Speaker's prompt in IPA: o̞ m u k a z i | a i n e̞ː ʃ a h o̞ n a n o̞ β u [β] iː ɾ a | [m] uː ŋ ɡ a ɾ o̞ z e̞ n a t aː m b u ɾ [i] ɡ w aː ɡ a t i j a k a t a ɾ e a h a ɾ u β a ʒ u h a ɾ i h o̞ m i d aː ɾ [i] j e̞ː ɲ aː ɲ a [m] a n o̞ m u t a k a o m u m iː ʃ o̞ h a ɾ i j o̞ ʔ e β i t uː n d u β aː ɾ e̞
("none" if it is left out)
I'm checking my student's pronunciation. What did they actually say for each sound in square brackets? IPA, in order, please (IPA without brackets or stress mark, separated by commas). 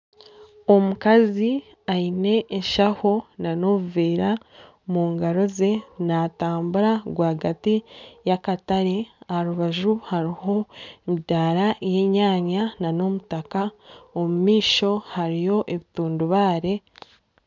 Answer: v, m, a, a, n